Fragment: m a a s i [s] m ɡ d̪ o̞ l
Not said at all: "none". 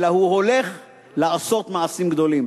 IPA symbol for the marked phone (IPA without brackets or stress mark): none